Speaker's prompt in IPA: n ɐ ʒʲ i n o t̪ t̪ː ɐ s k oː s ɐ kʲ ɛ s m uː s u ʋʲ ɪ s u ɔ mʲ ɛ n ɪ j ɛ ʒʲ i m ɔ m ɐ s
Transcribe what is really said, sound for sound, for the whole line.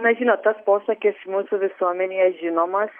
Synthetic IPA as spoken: n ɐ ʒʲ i n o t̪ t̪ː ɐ s p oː s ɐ kʲ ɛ s m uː s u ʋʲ ɪ s u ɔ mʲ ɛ n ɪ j ɛ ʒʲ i n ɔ m ɐ s